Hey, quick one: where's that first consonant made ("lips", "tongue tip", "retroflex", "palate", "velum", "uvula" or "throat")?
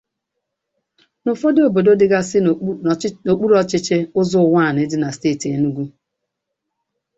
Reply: tongue tip